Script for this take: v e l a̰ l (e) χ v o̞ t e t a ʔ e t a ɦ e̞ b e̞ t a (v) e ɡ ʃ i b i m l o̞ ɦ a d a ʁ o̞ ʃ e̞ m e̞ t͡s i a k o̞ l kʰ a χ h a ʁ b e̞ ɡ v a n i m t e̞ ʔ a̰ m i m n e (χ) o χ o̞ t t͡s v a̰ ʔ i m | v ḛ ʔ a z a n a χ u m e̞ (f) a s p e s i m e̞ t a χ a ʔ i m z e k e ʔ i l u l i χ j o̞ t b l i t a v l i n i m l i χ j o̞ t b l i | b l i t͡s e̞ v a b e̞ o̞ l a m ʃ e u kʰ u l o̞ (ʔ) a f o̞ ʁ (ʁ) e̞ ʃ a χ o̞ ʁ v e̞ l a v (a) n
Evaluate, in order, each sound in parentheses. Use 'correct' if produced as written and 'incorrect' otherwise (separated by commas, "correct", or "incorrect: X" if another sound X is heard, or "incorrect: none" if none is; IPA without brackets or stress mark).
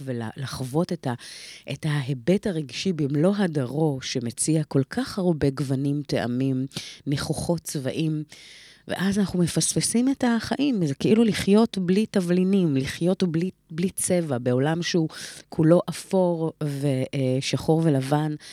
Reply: incorrect: a, incorrect: ʁ, correct, correct, correct, incorrect: v, correct